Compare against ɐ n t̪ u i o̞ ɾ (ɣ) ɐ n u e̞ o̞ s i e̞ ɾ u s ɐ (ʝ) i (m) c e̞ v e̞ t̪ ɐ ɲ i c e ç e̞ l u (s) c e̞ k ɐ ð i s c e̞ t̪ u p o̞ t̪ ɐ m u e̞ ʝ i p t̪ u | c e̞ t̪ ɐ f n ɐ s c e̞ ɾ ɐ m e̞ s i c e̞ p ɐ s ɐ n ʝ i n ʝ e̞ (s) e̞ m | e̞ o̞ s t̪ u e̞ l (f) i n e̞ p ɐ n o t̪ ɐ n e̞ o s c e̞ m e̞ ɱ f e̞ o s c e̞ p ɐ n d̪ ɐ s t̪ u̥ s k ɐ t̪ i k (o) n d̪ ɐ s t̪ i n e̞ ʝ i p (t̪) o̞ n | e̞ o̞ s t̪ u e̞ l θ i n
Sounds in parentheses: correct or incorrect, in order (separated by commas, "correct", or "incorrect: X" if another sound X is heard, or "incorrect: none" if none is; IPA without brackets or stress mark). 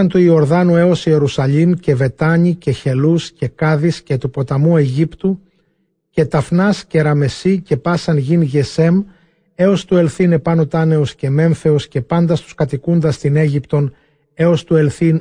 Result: incorrect: ð, incorrect: ʎ, correct, correct, correct, incorrect: θ, incorrect: u, correct